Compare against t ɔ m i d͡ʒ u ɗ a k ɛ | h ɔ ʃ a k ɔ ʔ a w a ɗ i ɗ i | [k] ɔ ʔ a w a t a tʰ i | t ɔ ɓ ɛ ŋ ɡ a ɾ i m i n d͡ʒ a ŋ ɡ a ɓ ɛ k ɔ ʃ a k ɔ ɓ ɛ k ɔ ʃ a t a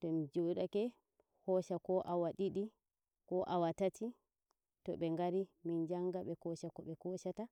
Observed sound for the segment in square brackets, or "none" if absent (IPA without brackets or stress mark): k